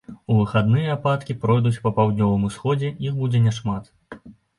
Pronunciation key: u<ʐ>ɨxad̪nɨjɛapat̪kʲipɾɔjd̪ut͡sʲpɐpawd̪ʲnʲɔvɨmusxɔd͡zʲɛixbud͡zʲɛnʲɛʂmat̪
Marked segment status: incorrect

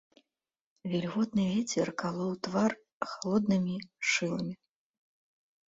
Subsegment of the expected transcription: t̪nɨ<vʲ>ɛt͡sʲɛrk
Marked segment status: correct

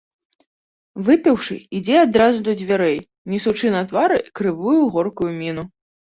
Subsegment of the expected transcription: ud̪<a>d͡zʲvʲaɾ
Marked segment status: incorrect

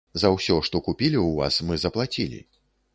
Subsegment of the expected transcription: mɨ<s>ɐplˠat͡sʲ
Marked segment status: incorrect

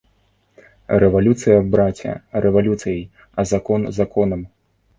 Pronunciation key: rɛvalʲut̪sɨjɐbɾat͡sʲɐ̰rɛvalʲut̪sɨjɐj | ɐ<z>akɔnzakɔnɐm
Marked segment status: correct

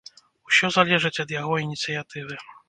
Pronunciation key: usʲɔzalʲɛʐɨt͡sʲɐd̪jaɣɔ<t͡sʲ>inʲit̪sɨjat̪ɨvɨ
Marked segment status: incorrect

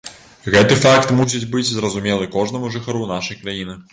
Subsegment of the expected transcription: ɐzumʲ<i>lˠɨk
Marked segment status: incorrect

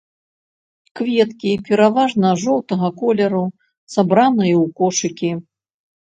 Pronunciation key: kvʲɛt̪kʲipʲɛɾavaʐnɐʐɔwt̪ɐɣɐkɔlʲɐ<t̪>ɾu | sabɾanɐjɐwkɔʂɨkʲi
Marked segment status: incorrect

